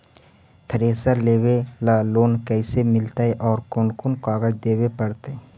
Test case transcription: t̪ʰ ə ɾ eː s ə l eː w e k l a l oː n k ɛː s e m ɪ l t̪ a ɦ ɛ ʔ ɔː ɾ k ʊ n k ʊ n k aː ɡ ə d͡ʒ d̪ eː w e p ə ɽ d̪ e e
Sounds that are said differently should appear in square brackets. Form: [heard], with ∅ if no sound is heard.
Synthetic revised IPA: t̪ʰ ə ɾ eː s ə l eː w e [∅] l a l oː n k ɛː s e m ɪ l t̪ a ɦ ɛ ʔ ɔː ɾ k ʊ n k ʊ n k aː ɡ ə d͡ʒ d̪ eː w e p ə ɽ [t̪] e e